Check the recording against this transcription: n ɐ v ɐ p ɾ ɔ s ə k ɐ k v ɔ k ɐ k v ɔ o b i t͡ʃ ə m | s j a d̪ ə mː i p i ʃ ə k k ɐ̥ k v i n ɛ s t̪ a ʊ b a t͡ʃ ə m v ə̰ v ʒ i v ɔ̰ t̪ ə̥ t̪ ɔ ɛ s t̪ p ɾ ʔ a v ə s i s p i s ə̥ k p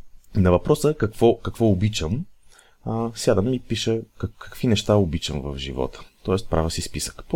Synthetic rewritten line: n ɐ v ɐ p ɾ ɔ s ə k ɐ k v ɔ k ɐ k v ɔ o b i t͡ʃ ə m | s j a d̪ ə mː i p i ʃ ə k k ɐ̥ k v i n ɛ ʃ t̪ a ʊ b i t͡ʃ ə m v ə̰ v ʒ i v ɔ̰ t̪ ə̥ t̪ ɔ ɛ s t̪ p ɾ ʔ a v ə s i s p i s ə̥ k p